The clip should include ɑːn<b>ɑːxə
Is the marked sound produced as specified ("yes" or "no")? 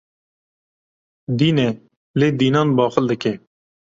yes